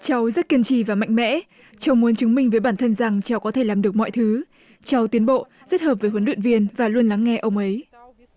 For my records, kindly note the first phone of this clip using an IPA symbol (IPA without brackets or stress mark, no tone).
t͡ɕ